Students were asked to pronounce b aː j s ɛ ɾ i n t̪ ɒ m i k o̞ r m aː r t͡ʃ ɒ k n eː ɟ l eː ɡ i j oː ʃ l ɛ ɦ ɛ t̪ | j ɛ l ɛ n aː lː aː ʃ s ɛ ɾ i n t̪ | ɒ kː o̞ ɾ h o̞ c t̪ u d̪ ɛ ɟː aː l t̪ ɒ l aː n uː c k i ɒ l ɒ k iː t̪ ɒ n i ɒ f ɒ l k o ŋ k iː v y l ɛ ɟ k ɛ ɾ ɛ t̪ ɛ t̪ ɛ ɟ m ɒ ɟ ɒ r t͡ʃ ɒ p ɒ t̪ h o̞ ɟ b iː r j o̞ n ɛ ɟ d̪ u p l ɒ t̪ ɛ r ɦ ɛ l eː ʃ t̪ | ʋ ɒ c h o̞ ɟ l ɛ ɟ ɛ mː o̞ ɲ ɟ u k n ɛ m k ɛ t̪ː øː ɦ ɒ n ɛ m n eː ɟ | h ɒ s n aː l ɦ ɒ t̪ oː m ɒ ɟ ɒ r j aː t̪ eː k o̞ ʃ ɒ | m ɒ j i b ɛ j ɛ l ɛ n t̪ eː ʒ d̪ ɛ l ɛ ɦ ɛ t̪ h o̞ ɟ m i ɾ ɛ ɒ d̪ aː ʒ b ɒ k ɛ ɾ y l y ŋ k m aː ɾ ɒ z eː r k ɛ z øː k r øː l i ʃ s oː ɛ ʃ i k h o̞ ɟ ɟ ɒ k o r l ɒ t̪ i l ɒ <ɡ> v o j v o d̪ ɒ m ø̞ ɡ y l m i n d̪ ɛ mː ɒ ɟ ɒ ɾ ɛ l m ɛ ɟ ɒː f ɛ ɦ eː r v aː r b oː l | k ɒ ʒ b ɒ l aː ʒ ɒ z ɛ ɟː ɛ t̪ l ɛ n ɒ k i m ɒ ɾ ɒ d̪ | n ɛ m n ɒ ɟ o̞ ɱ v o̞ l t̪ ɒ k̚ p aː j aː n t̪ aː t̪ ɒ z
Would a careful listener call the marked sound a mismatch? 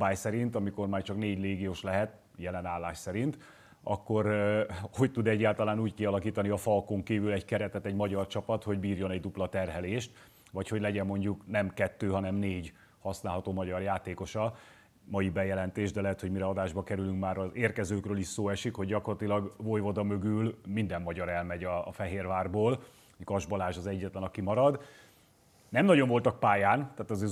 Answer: no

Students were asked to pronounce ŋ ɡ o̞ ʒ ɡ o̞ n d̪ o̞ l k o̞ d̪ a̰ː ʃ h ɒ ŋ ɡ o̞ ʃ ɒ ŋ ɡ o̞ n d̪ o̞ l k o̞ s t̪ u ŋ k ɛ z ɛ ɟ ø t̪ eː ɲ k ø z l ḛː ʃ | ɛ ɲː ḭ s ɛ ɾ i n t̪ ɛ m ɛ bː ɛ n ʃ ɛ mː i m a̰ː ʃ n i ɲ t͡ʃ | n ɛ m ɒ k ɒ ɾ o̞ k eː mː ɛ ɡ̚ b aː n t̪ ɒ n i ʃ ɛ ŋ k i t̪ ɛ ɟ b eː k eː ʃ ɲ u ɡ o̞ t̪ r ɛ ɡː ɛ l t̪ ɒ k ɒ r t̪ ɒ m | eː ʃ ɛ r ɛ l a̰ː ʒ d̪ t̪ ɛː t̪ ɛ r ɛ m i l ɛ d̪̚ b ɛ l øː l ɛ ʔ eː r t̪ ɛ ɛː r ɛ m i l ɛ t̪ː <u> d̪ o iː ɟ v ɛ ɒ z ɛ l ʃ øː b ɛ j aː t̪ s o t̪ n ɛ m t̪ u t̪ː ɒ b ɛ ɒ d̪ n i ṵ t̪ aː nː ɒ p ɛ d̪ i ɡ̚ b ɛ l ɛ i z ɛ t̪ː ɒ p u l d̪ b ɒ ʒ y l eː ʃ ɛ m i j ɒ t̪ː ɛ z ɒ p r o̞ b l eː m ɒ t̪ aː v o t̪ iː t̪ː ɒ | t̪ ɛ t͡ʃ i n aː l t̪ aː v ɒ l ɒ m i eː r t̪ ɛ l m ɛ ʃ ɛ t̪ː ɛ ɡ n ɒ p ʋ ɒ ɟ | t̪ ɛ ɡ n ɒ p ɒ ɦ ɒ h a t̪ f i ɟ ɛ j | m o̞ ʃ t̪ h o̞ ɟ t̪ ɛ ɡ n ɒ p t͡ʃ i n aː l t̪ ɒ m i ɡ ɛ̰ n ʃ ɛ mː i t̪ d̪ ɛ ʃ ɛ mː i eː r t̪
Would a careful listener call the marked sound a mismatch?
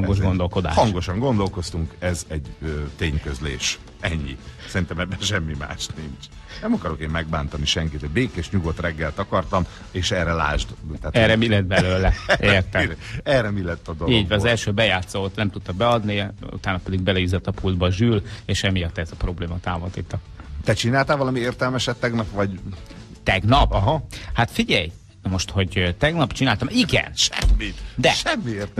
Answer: yes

